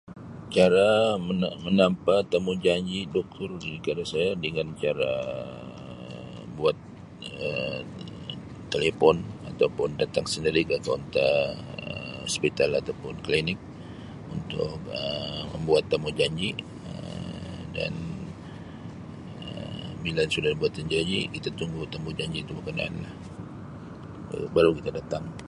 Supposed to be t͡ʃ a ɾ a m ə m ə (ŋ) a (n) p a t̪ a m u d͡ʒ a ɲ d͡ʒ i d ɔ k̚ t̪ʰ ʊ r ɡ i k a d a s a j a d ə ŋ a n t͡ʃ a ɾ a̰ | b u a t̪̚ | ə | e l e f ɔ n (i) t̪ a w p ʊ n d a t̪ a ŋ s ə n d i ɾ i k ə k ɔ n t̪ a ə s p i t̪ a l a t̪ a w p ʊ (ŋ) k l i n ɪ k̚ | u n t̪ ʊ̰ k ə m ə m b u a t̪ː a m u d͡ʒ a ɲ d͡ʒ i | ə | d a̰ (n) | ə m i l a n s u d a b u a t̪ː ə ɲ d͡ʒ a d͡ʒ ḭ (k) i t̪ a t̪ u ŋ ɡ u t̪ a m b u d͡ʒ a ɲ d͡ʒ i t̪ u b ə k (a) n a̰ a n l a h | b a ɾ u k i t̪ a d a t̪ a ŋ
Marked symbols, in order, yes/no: no, no, no, no, yes, yes, no

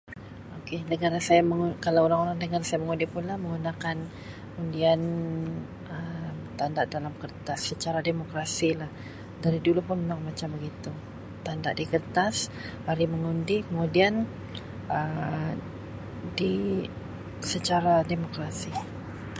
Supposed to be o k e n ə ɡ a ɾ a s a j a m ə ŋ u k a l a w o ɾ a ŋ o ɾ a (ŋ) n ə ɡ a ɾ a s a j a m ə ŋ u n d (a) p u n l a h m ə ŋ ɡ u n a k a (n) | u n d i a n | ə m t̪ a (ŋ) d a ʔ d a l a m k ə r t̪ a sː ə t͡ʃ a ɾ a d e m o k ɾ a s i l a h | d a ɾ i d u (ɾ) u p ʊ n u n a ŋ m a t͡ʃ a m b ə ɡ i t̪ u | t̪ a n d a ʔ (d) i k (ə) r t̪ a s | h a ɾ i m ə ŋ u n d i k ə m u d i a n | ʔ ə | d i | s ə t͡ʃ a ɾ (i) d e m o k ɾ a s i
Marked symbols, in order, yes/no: yes, no, yes, no, no, yes, yes, no

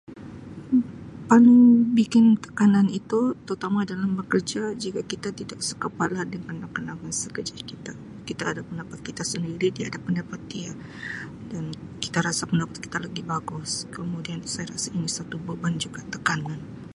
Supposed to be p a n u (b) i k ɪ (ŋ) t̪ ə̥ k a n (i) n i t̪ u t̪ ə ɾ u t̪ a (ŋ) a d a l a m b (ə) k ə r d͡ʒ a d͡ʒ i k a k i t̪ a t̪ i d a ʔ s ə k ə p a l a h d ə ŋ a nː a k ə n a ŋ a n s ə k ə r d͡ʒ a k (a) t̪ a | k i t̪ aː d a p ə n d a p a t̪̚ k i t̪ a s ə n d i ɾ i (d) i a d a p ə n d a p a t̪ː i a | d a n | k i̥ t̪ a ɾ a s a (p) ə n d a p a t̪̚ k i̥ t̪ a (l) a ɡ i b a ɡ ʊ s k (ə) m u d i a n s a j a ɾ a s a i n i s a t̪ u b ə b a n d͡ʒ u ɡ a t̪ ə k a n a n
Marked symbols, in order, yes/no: yes, no, no, no, yes, no, yes, yes, yes, yes

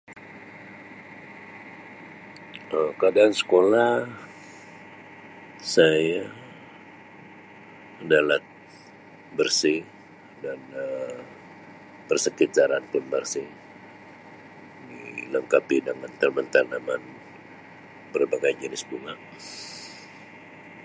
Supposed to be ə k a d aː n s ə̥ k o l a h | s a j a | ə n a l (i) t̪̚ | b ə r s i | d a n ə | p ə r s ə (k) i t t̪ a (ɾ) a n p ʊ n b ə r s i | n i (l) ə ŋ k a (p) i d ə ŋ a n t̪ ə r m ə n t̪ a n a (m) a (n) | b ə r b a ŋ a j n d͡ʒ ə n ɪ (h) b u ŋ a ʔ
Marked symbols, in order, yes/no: no, yes, yes, yes, yes, yes, yes, no

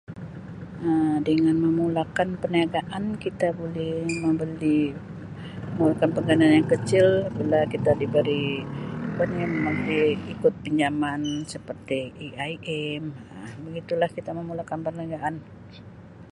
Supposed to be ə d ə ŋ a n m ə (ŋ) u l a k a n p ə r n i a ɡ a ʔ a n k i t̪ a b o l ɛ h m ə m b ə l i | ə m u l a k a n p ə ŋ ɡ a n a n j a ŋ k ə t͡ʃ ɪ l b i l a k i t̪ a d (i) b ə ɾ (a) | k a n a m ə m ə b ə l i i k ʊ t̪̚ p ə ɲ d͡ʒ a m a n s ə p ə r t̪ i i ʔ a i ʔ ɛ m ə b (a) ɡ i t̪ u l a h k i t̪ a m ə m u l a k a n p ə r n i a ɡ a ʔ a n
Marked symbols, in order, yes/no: no, yes, no, no

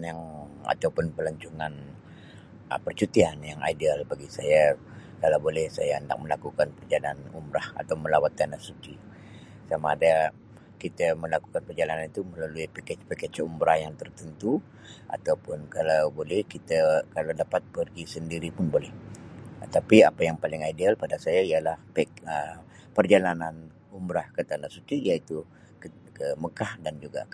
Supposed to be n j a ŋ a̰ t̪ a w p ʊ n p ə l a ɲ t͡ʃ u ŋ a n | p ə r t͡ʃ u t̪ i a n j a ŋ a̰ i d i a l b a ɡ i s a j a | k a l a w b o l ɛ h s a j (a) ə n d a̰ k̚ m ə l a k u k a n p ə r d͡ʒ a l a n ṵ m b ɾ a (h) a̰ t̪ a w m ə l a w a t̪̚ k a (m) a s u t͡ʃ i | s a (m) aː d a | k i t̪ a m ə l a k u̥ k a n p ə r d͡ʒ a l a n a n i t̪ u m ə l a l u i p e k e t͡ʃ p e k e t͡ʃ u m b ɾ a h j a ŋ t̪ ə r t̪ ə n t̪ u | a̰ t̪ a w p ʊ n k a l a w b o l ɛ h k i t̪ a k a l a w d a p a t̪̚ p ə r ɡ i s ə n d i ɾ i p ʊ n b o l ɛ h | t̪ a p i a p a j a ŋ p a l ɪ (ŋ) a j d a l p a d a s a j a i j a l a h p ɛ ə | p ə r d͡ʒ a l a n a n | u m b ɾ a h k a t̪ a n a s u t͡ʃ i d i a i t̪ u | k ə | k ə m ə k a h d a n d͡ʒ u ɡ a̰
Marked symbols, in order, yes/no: yes, yes, no, yes, yes

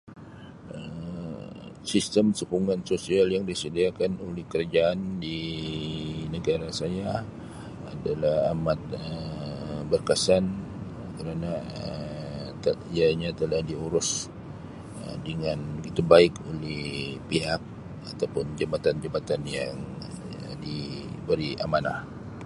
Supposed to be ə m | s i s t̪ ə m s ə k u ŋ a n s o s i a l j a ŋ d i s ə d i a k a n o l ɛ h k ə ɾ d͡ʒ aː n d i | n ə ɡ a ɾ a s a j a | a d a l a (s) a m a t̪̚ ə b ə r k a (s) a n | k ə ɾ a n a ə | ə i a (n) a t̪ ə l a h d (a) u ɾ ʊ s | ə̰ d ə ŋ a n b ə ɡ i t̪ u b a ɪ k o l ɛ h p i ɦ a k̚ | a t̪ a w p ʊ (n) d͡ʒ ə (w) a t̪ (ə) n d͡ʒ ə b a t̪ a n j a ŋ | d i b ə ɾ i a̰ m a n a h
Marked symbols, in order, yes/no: no, yes, no, no, yes, no, no

